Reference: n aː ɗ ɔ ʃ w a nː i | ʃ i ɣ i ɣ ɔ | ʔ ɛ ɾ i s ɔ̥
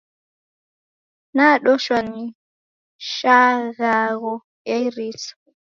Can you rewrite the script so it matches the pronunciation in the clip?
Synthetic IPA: n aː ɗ ɔ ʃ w a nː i | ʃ a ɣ a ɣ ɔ | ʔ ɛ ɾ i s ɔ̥